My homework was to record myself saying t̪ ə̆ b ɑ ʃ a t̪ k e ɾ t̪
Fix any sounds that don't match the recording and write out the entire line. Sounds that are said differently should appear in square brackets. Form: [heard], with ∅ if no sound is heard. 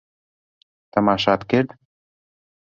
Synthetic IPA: t̪ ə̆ [m] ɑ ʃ [ɑ] t̪ k e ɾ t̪